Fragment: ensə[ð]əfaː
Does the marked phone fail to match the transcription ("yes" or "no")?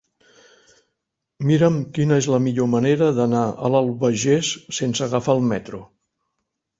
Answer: yes